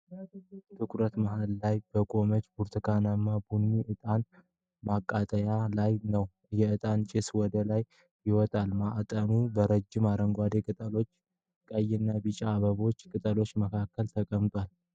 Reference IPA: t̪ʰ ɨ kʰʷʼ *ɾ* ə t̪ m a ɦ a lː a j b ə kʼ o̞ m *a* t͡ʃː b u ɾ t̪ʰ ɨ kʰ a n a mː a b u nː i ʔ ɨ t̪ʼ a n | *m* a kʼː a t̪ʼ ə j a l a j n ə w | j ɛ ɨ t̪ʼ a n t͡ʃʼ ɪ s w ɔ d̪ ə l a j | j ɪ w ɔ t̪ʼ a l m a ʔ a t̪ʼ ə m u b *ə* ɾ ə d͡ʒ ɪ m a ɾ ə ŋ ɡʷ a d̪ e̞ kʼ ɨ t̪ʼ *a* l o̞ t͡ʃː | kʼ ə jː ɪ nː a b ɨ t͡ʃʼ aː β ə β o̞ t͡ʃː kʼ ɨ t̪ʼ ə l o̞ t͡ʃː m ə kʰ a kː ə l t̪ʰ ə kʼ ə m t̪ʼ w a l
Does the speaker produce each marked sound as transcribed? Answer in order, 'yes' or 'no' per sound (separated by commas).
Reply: yes, no, yes, yes, no